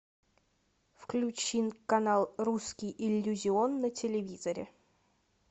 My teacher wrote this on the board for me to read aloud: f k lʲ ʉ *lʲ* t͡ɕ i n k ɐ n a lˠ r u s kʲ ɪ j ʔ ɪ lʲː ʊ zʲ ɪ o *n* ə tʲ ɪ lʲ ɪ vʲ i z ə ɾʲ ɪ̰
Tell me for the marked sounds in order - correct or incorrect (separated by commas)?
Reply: incorrect, incorrect